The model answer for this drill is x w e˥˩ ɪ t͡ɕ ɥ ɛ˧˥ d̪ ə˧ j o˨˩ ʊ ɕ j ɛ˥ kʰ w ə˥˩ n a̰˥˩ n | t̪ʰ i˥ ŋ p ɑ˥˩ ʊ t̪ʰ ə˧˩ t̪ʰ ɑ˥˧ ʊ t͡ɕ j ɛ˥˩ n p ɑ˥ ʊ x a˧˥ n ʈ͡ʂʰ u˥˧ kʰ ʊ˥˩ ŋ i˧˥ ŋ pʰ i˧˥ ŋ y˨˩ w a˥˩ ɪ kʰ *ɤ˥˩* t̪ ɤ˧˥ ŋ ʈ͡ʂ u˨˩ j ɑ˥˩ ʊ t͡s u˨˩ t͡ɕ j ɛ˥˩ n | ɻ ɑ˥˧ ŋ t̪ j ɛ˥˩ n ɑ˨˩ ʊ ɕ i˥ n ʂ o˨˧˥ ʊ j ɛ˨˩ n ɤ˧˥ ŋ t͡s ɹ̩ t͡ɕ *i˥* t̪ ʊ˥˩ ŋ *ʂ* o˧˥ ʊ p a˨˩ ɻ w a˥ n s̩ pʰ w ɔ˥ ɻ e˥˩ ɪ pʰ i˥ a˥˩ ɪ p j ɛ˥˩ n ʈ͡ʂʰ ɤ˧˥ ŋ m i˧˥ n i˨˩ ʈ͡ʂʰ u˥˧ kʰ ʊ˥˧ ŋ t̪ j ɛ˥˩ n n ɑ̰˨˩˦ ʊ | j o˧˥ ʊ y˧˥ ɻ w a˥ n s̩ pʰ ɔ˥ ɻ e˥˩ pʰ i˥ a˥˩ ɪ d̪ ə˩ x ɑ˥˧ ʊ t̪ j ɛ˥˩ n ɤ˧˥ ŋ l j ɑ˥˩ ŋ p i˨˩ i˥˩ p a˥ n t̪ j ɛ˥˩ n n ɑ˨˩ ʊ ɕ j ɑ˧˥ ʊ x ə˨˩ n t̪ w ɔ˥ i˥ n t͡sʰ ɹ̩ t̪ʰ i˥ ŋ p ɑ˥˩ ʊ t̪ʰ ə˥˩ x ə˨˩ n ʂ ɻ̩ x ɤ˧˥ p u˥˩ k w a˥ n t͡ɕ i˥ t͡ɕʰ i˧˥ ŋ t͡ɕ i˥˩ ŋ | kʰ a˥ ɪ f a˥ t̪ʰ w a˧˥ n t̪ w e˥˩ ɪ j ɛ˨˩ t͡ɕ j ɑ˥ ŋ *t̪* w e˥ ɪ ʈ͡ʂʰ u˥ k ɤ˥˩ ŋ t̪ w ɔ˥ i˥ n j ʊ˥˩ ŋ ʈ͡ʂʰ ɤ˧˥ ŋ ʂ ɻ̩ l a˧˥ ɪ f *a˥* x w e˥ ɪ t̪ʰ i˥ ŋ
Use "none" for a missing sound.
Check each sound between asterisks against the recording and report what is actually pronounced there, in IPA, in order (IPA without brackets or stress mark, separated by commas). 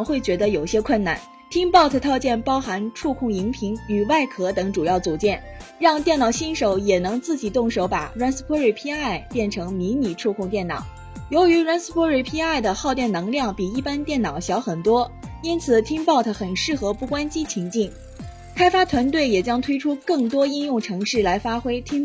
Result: ɤ˧˥, i˨˩, ʂ, t̪ʰ, a˥